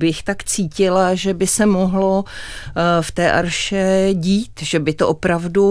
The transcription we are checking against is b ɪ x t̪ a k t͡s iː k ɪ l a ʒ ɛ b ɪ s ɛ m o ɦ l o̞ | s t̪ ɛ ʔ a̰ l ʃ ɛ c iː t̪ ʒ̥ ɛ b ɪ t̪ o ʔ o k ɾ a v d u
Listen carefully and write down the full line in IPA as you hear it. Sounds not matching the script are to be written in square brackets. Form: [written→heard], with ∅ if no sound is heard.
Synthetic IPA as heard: b ɪ x t̪ a k t͡s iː [k→c] ɪ l a ʒ ɛ b ɪ s ɛ m o ɦ l o̞ | [s→f] t̪ [ɛ→ɛː] ʔ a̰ [l→ɾ] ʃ ɛ [c→ɟ] iː t̪ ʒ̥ ɛ b ɪ t̪ o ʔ o [k→p] ɾ a v d u